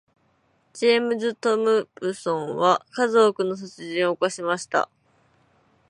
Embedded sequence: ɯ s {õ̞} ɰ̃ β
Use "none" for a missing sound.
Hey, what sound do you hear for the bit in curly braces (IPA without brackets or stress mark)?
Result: õ̞